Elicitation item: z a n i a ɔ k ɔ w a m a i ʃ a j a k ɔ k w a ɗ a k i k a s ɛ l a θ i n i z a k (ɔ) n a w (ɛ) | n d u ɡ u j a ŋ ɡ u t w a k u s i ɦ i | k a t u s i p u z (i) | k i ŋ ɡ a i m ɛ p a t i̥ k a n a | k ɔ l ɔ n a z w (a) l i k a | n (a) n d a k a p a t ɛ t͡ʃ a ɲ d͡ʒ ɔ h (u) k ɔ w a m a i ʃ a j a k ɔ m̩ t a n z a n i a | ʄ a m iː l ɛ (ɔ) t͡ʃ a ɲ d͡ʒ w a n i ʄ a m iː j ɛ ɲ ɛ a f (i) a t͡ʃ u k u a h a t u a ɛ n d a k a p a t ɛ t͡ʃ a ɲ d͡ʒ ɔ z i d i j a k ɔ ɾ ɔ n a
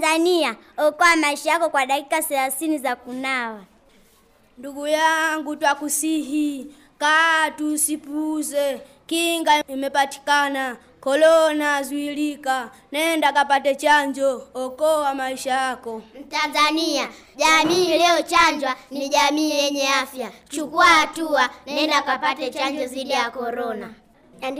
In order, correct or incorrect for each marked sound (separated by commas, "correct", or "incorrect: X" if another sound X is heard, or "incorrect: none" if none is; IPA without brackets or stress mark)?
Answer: incorrect: u, incorrect: a, incorrect: ɛ, incorrect: i, incorrect: ɛ, incorrect: ɔ, correct, incorrect: j